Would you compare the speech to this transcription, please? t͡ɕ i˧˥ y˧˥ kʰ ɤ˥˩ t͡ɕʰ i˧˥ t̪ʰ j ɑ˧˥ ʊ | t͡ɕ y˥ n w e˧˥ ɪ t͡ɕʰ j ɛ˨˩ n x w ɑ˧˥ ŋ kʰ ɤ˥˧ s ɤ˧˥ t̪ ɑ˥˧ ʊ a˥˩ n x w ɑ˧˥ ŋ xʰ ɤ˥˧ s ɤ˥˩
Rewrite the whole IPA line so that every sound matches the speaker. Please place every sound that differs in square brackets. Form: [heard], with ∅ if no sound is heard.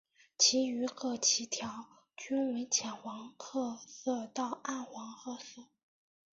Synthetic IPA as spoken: [t͡ɕʰ] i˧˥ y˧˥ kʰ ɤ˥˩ t͡ɕʰ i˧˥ t̪ʰ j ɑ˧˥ ʊ | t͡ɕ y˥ n w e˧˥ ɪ t͡ɕʰ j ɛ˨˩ n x w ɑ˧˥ ŋ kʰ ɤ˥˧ s [ɤ˥˧] t̪ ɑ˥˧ ʊ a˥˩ n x w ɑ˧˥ ŋ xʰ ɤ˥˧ s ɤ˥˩